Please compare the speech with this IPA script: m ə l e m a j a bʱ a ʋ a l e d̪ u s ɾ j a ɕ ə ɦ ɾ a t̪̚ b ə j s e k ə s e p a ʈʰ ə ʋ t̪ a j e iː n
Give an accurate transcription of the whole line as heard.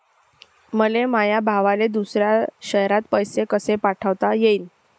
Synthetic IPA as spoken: m ə l e m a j a bʱ a ʋ a l e d̪ u s ɾ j a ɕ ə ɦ ɾ a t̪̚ p ə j s e k ə s e p a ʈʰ ə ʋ t̪ a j e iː n